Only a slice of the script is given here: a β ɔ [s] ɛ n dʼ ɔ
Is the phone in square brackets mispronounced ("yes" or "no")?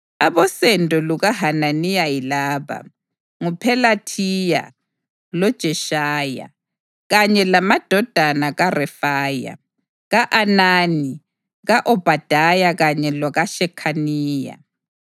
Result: no